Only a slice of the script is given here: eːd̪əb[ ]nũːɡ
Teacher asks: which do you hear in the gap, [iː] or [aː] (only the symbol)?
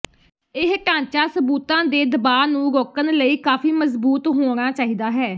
aː